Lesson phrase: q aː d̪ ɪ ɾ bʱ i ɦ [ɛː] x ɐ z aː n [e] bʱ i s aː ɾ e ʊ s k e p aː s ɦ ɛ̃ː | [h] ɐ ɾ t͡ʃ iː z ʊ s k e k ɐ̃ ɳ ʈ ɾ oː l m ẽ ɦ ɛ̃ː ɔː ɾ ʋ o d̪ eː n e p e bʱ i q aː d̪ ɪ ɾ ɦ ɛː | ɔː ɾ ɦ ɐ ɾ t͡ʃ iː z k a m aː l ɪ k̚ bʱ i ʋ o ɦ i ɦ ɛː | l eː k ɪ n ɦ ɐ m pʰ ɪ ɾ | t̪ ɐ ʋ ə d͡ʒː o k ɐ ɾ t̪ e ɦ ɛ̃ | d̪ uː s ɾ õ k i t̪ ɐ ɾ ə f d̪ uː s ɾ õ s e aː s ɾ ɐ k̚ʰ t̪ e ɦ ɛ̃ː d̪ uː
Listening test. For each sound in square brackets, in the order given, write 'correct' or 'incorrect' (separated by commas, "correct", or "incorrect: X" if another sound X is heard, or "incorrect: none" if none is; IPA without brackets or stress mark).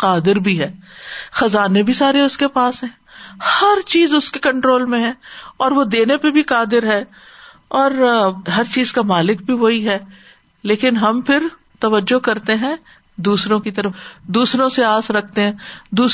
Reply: correct, correct, correct